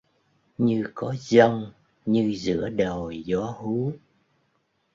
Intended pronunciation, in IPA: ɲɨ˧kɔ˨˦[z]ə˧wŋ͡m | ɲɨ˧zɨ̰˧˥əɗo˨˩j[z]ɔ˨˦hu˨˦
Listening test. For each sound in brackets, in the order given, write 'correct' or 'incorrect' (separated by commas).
correct, correct